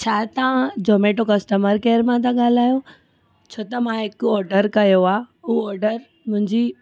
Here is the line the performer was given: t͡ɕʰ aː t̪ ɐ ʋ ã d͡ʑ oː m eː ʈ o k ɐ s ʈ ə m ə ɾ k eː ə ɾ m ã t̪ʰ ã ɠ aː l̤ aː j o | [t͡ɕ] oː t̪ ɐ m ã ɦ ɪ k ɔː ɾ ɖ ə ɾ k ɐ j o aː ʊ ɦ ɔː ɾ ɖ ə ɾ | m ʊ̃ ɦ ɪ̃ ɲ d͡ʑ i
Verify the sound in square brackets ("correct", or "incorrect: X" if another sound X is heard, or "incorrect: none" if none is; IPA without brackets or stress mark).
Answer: incorrect: t͡ɕʰ